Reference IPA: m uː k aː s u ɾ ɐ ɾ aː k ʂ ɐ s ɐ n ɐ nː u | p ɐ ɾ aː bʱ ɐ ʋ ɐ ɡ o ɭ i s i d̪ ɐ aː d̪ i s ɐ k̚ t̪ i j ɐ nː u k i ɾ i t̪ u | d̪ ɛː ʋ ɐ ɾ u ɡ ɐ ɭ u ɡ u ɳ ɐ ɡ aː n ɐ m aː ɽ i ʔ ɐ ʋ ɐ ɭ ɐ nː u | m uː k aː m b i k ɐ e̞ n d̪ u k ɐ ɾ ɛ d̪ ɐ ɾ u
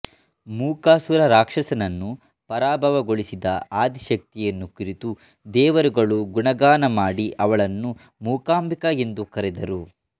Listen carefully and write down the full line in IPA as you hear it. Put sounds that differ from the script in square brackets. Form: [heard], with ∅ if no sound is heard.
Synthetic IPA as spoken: m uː k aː s u ɾ ɐ ɾ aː k ʂ ɐ s ɐ n ɐ nː u | p ɐ ɾ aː bʱ ɐ ʋ ɐ ɡ o ɭ i s i d̪ ɐ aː d̪ i [ʃ] ɐ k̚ t̪ i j ɐ nː u k i ɾ i t̪ u | d̪ ɛː ʋ ɐ ɾ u ɡ ɐ ɭ u ɡ u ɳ ɐ ɡ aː n ɐ m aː ɽ i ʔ ɐ ʋ ɐ ɭ ɐ nː u | m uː k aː m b i k ɐ e̞ n d̪ u k ɐ ɾ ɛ d̪ ɐ ɾ u

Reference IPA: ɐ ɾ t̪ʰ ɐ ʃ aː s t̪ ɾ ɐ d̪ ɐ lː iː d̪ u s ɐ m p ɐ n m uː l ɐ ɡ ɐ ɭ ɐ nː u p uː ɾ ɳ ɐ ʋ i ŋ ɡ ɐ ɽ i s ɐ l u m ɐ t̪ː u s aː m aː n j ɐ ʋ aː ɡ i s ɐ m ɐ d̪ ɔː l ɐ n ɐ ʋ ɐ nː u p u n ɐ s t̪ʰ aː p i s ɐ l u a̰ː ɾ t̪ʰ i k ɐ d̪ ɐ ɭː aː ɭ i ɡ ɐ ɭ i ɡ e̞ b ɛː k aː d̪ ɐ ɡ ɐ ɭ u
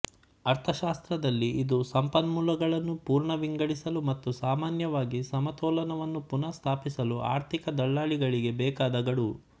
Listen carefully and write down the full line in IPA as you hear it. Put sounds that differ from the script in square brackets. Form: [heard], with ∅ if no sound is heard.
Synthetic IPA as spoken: ɐ ɾ t̪ʰ ɐ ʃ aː s t̪ ɾ ɐ d̪ ɐ lː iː d̪ u s ɐ m p ɐ n m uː l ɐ ɡ ɐ ɭ ɐ nː u p uː ɾ ɳ ɐ ʋ i ŋ ɡ ɐ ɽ i s ɐ l u m ɐ t̪ː u s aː m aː n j ɐ ʋ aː ɡ i s ɐ m ɐ [t̪] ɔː l ɐ n ɐ ʋ ɐ nː u p u n ɐ s t̪ʰ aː p i s ɐ l u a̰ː ɾ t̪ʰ i k ɐ d̪ ɐ ɭː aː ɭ i ɡ ɐ ɭ i ɡ e̞ b ɛː k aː d̪ ɐ ɡ ɐ [ɽ] u

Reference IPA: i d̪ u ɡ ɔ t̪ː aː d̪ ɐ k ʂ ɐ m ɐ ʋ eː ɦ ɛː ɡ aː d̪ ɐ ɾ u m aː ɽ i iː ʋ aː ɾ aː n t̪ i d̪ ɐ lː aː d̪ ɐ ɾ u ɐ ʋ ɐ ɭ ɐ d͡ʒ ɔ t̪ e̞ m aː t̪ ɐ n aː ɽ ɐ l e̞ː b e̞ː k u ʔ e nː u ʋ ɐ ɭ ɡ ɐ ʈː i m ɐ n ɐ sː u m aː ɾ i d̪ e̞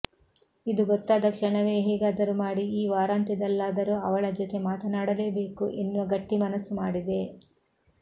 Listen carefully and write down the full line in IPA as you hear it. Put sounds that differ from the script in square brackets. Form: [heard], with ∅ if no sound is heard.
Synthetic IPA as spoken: i d̪ u ɡ ɔ t̪ː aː d̪ ɐ k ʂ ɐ [ɳ] ɐ ʋ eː ɦ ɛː ɡ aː d̪ ɐ ɾ u m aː ɽ i iː ʋ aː ɾ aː n t̪ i d̪ ɐ lː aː d̪ ɐ ɾ u ɐ ʋ ɐ ɭ ɐ d͡ʒ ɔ t̪ e̞ m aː t̪ ɐ n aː ɽ ɐ l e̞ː b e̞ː k u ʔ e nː u ʋ ɐ [∅] ɡ ɐ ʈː i m ɐ n ɐ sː u m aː [ɽ] i d̪ e̞

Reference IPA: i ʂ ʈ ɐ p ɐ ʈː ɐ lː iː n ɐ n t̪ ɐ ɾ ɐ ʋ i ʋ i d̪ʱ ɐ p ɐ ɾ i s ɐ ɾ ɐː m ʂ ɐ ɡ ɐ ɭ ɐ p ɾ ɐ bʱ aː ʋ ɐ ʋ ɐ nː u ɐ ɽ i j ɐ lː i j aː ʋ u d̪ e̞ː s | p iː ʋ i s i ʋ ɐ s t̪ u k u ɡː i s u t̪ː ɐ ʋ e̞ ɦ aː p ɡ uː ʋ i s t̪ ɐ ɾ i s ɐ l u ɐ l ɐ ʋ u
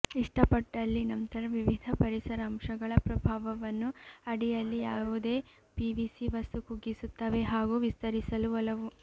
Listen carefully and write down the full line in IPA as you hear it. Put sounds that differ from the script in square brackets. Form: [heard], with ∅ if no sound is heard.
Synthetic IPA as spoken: i ʂ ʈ ɐ p ɐ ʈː ɐ lː [i] n ɐ n t̪ ɐ ɾ ɐ ʋ i ʋ i d̪ʱ ɐ p ɐ ɾ i s ɐ ɾ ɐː m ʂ ɐ ɡ ɐ ɭ ɐ p ɾ ɐ bʱ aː ʋ ɐ ʋ ɐ nː u ɐ ɽ i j ɐ lː i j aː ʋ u d̪ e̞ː [∅] | p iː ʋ i s i ʋ ɐ s t̪ u k u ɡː i s u t̪ː ɐ ʋ e̞ ɦ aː [∅] ɡ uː ʋ i s t̪ ɐ ɾ i s ɐ l u ɐ l ɐ ʋ u

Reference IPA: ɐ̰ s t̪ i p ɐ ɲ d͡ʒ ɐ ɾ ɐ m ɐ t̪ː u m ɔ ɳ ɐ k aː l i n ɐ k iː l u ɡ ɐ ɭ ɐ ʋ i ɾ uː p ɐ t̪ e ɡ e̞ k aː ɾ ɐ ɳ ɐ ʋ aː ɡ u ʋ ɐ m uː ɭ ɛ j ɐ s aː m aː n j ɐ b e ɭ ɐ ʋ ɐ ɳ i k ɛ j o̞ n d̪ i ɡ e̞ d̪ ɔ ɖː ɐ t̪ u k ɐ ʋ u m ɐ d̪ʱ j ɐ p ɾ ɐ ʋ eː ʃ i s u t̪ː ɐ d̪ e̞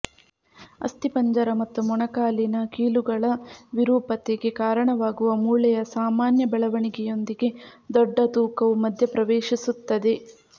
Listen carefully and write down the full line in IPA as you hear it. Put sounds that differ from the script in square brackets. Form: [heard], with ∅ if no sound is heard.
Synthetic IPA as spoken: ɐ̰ s t̪ i p ɐ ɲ d͡ʒ ɐ ɾ ɐ m ɐ t̪ː u m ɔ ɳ ɐ k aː l i n ɐ k iː l u ɡ ɐ ɭ ɐ ʋ i ɾ uː p ɐ t̪ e ɡ e̞ k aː ɾ ɐ ɳ ɐ ʋ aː ɡ u ʋ ɐ m uː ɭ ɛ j ɐ s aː m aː n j ɐ b [ɛ] ɭ ɐ ʋ ɐ ɳ i [ɡ] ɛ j o̞ n d̪ i ɡ e̞ d̪ ɔ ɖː ɐ t̪ [uː] k ɐ ʋ u m ɐ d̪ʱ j ɐ p ɾ ɐ ʋ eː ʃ i s u t̪ː ɐ d̪ e̞

